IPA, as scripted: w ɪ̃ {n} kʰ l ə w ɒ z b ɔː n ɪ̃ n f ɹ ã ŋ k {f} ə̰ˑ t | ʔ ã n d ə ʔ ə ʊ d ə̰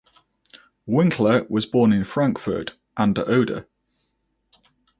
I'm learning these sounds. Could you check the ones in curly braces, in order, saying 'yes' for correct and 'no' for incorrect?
no, yes

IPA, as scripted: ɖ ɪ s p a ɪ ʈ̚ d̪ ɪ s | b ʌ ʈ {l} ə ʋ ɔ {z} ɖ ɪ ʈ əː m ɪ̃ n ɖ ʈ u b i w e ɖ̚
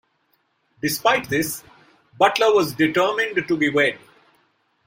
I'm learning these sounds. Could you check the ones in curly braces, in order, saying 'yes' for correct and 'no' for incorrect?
yes, yes

